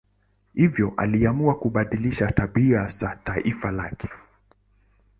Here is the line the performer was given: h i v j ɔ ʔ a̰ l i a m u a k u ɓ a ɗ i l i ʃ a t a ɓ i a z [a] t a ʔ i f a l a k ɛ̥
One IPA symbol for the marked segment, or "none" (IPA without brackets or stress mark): a